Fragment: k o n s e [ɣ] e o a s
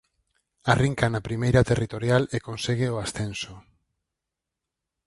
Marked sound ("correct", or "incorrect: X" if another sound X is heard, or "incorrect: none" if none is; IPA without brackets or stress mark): correct